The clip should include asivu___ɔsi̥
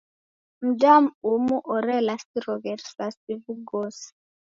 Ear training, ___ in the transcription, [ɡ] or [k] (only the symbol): ɡ